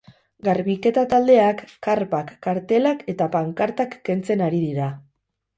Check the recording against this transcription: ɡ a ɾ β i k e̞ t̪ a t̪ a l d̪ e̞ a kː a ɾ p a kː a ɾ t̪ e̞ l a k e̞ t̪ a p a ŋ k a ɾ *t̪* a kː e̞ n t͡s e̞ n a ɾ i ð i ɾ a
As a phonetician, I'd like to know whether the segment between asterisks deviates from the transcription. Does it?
no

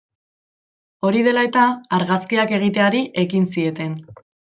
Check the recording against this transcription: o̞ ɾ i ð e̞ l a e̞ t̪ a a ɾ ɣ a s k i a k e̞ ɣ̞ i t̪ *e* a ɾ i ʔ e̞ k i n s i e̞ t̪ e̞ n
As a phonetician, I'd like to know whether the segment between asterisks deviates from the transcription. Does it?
no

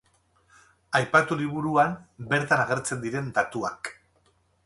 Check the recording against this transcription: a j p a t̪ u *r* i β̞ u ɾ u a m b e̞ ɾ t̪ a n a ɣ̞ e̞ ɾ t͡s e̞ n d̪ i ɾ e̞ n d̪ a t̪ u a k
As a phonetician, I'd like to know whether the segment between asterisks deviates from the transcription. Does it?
yes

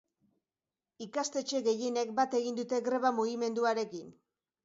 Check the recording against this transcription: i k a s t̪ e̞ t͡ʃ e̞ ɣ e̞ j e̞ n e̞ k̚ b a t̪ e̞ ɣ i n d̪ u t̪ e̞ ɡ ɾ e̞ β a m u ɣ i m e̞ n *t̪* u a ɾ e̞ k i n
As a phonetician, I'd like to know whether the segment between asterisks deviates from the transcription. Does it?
yes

